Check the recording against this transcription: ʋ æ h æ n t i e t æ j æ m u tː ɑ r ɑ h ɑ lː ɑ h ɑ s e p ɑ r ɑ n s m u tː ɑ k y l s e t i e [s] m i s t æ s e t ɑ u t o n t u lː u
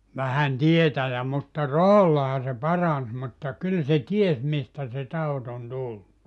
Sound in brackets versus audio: correct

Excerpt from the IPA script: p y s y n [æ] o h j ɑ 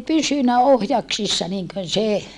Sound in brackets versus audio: correct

